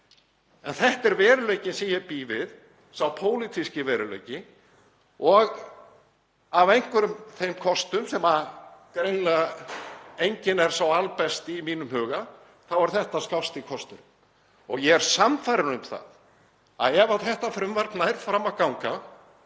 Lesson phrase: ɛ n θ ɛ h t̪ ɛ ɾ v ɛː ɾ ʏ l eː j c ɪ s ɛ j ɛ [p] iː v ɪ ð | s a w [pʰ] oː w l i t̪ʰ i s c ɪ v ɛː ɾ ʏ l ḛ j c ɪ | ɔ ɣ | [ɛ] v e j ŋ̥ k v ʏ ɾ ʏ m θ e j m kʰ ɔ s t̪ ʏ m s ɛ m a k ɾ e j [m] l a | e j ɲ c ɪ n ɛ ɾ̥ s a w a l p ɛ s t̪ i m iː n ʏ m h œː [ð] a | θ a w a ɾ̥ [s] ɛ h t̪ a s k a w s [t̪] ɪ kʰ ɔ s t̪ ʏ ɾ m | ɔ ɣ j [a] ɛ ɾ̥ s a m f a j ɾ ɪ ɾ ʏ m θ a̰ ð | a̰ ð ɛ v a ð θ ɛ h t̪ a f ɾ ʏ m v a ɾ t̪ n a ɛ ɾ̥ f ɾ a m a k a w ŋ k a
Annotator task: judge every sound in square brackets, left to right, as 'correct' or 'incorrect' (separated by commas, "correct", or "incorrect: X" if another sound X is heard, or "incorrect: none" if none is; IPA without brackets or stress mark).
correct, correct, incorrect: a, incorrect: n, incorrect: ɣ, incorrect: θ, correct, incorrect: ɛ